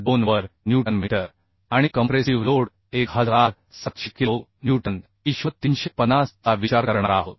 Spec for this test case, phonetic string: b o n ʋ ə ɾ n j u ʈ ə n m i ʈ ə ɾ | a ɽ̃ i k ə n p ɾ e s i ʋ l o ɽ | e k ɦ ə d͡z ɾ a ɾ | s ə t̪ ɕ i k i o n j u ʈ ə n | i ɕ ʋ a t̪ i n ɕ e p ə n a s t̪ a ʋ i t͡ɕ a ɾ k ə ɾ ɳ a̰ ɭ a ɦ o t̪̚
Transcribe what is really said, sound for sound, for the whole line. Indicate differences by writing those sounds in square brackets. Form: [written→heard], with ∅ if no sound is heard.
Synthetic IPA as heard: b o n ʋ ə ɾ n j u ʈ ə n m i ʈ ə ɾ | a ɽ̃ i k ə [n→m] p ɾ e s i ʋ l o ɽ | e k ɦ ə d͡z ɾ a ɾ | s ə t̪ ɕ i k i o n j u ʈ ə n | i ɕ ʋ [a→ə] t̪ i n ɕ e p ə n a s t̪ a ʋ i t͡ɕ a ɾ k ə ɾ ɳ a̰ [ɭ→ɾ] a ɦ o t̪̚

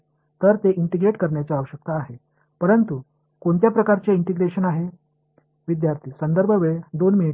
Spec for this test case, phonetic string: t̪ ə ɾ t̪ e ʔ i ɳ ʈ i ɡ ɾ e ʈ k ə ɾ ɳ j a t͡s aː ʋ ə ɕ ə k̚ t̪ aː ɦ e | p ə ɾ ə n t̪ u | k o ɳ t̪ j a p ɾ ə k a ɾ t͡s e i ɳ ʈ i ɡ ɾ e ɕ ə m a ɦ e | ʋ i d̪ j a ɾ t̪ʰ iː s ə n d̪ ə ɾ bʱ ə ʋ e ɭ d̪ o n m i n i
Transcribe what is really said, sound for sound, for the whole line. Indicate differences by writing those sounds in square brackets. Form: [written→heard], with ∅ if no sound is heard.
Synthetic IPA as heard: t̪ ə ɾ t̪ e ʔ i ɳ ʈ i ɡ ɾ e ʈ k ə ɾ ɳ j a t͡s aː ʋ ə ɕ ə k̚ t̪ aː ɦ e | p ə ɾ ə n t̪ u | k o ɳ t̪ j a p ɾ ə k a ɾ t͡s e i ɳ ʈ i ɡ ɾ e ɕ ə [m→n] a ɦ e | ʋ i d̪ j a ɾ t̪ʰ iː s ə n d̪ ə ɾ bʱ ə ʋ e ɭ d̪ o n m i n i

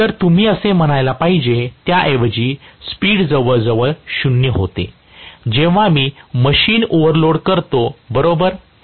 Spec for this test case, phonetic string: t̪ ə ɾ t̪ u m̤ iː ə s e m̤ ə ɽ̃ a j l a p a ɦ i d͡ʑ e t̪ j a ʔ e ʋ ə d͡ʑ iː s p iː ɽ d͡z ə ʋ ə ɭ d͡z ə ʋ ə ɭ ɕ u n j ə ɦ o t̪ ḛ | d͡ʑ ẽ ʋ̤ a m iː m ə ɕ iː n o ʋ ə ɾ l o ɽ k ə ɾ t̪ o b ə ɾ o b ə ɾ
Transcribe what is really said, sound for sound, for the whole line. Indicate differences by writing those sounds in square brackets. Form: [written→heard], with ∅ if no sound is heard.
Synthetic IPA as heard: t̪ ə ɾ t̪ u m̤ iː ə s e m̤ ə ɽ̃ a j l a p a ɦ i d͡ʑ e t̪ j a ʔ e ʋ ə d͡ʑ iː s p iː ɽ d͡z ə ʋ ə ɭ d͡z ə ʋ ə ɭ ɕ u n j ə ɦ o t̪ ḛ | d͡ʑ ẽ ʋ̤ a m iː m ə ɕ iː n o ʋ ə ɾ l o ɽ k ə ɾ t̪ o b ə ɾ o b ə ɾ

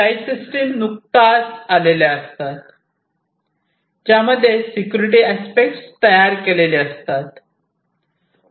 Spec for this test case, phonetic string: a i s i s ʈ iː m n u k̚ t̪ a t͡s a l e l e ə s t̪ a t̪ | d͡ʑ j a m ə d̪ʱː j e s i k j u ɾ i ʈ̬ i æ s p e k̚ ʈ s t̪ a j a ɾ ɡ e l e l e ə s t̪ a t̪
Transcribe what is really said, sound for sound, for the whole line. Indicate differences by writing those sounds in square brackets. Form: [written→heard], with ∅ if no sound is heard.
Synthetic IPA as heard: a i s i s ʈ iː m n u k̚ t̪ a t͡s a l e l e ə s t̪ a t̪ | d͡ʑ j a m ə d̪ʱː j e s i k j u ɾ i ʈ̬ i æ s p e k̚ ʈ s t̪ [a→ə] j a ɾ [ɡ→k] e l e l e ə s t̪ a t̪

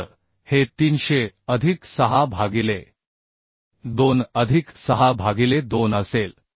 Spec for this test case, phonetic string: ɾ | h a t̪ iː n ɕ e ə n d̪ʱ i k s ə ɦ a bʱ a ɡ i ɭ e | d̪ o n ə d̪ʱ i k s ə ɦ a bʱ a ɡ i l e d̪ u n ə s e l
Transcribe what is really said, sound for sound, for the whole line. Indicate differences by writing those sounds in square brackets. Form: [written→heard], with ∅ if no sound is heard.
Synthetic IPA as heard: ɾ | h [a→e] t̪ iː n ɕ e ə [n→∅] d̪ʱ i k s ə ɦ a bʱ a ɡ i [ɭ→l] e | d̪ o n ə d̪ʱ i k s ə ɦ a bʱ a ɡ i l e d̪ [u→o] n ə s e l

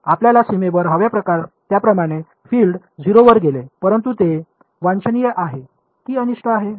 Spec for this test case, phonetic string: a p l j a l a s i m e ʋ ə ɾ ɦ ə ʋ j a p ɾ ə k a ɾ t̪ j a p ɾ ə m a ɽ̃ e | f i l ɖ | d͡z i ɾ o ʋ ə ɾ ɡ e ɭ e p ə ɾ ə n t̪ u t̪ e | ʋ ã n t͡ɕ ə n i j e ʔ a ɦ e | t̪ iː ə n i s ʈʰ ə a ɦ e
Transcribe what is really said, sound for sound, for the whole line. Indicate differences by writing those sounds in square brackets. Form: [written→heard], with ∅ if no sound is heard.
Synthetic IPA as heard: a p l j a l a s i m e ʋ ə ɾ ɦ ə ʋ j a p ɾ ə k a ɾ t̪ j a p ɾ ə m a ɽ̃ e | f i l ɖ | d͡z i ɾ o ʋ ə ɾ ɡ e [ɭ→l] e p ə ɾ ə n t̪ u t̪ e | ʋ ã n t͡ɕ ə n i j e ʔ a ɦ e | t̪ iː ə n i [s→ʂ] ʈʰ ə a ɦ e

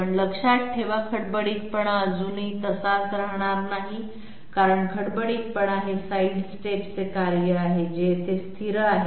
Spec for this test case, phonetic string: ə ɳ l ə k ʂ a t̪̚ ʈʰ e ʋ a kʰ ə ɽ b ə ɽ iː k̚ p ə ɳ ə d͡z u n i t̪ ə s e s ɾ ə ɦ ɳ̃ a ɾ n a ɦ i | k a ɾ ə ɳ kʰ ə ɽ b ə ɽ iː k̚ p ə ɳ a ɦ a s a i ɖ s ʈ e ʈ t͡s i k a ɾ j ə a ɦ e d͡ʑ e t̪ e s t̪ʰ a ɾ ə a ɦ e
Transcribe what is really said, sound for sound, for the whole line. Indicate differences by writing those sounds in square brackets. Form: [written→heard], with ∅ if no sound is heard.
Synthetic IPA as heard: ə ɳ l ə k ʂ a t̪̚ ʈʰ e ʋ a kʰ ə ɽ b ə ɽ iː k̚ p ə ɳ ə d͡z u n i t̪ ə s [e→a] s ɾ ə ɦ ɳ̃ a ɾ n a ɦ i | k a ɾ ə ɳ kʰ ə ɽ b ə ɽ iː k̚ p ə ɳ a ɦ [a→e] s a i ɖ s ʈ e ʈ t͡s [i→e] k a ɾ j ə a ɦ e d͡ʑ e t̪ e s t̪ʰ [a→i] ɾ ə a ɦ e

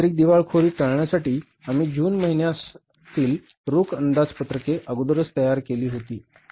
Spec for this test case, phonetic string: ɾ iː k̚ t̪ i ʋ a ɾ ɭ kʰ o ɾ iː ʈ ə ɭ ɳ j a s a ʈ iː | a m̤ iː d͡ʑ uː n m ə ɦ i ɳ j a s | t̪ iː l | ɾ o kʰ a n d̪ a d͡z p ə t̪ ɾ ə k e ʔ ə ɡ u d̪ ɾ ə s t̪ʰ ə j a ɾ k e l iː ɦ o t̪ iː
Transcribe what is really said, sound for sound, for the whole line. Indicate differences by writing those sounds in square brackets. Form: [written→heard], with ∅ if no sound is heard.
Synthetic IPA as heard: ɾ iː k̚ [t̪→d̪] i ʋ a [ɾ→∅] ɭ kʰ o ɾ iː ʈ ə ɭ ɳ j a s a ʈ iː | a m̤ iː d͡ʑ uː n m ə ɦ i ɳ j a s | t̪ iː l | ɾ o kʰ [a→ə] n d̪ a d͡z p ə t̪ ɾ ə k e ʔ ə ɡ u d̪ ɾ ə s [t̪ʰ→t̪] ə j a ɾ k e l iː ɦ o t̪ iː

